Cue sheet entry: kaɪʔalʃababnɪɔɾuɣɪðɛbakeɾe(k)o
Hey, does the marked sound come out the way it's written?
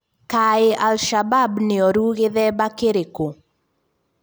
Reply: yes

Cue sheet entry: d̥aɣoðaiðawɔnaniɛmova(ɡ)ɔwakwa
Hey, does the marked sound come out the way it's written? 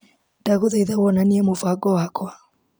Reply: yes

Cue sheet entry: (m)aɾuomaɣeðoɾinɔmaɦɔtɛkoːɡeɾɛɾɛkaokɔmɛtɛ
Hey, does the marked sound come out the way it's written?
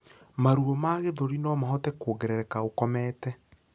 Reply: yes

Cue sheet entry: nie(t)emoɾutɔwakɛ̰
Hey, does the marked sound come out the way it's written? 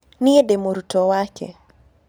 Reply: no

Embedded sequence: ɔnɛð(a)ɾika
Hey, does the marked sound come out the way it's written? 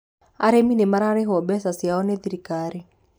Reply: no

